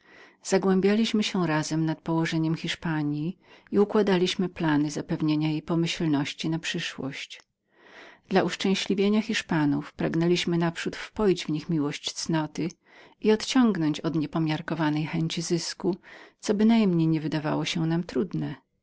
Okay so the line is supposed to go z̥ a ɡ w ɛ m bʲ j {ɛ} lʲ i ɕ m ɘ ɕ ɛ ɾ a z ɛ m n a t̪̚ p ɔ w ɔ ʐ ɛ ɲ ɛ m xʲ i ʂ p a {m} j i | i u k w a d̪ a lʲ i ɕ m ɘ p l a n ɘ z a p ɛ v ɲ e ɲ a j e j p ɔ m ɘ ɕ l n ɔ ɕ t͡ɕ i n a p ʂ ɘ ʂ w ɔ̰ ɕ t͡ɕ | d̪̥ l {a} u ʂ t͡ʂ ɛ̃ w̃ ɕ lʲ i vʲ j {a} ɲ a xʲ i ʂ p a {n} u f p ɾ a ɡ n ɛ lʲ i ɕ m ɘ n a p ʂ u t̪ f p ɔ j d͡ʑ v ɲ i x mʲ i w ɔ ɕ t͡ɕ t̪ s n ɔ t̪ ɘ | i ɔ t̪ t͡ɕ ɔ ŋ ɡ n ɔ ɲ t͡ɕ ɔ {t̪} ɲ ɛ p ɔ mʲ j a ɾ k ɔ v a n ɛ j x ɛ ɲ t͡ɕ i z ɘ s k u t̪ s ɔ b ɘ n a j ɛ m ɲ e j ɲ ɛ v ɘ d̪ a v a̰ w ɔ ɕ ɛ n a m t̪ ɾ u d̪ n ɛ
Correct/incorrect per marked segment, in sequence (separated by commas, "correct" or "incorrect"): incorrect, incorrect, correct, incorrect, correct, incorrect